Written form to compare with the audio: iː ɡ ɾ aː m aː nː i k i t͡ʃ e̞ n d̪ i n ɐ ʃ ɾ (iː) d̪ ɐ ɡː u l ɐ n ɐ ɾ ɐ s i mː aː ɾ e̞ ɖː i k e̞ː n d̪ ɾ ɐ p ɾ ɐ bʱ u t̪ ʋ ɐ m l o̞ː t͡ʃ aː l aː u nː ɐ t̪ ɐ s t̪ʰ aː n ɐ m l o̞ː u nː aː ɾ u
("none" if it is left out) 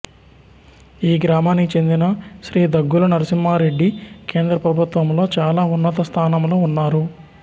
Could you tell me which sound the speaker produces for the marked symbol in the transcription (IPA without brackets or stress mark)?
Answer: iː